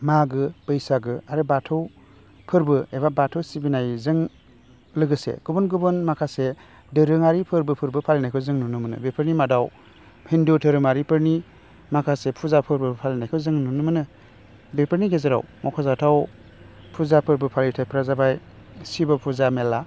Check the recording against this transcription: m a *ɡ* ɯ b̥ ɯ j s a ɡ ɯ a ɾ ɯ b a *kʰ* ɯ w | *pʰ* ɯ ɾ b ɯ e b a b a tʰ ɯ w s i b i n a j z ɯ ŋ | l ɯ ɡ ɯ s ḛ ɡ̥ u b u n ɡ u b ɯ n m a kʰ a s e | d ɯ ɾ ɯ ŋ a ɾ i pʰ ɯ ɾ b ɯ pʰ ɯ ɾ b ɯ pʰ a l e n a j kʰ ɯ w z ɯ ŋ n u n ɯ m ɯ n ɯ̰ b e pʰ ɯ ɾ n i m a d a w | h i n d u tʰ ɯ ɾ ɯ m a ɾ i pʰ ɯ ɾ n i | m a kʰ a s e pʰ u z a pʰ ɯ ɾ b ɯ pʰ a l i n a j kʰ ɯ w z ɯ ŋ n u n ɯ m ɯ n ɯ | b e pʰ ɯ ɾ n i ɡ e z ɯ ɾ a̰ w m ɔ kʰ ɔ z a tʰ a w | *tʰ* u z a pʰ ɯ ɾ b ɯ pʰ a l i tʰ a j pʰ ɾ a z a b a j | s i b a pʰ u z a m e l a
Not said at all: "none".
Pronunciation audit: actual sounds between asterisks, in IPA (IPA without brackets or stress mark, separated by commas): ɡ, tʰ, pʰ, pʰ